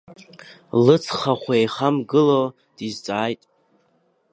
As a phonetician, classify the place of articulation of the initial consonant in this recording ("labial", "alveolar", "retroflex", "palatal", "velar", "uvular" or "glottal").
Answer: alveolar